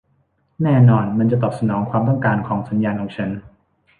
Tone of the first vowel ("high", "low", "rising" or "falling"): falling